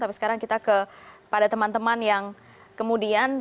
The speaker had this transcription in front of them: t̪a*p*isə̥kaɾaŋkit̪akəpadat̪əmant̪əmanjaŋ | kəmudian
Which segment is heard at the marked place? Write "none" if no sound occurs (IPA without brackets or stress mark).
p